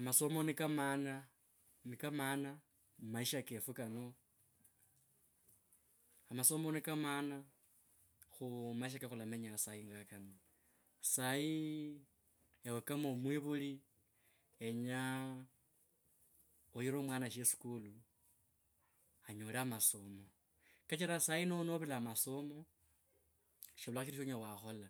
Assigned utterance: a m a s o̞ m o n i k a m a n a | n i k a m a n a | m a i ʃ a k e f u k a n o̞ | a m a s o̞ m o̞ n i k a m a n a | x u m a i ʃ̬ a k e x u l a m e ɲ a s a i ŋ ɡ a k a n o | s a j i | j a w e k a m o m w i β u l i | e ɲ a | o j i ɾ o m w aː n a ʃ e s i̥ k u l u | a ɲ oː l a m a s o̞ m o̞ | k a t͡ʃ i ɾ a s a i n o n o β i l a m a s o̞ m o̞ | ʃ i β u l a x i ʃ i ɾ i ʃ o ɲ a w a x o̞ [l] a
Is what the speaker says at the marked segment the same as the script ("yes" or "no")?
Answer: yes